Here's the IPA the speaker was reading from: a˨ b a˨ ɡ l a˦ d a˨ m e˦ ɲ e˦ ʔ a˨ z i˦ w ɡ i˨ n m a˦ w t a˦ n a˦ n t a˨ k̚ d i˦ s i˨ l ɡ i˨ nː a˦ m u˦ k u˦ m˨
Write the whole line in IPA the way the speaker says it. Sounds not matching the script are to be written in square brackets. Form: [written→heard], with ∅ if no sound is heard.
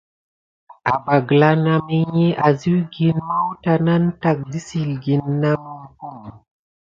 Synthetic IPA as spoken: a˨ b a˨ ɡ l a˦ [d→n] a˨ m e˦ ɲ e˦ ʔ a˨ z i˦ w ɡ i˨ n m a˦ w t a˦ n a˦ n t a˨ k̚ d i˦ s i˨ l ɡ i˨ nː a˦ m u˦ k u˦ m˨